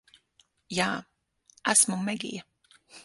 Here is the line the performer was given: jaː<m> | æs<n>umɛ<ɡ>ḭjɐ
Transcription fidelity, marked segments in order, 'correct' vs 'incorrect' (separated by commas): incorrect, incorrect, correct